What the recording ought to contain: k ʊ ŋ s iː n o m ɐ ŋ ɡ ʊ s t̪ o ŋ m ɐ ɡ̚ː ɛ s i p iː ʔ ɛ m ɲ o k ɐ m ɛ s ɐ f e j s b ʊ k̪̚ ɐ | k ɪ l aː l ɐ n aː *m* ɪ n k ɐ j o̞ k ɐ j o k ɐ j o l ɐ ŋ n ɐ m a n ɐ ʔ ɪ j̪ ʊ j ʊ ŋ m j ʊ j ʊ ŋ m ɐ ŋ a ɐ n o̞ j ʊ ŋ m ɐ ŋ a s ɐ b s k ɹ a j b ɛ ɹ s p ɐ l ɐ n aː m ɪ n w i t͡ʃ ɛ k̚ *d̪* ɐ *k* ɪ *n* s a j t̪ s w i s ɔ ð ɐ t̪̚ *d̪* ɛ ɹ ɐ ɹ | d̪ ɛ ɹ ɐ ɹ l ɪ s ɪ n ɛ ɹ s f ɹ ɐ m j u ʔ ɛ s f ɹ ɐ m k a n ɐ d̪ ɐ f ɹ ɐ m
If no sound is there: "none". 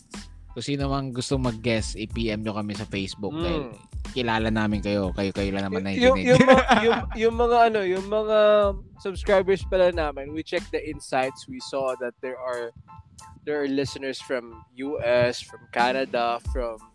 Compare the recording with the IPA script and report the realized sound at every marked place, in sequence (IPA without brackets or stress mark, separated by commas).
m, d̪, ʔ, n, d̪